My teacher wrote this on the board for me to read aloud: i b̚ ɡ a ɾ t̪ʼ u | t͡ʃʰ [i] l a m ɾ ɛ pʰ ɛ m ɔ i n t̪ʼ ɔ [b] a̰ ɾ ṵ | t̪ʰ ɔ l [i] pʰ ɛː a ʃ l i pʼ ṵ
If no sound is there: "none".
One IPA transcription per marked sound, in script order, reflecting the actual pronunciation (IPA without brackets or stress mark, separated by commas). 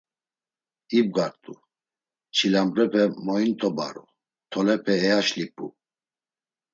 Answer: i, b, ɛ